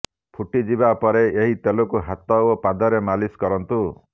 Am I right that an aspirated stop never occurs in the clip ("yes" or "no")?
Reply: no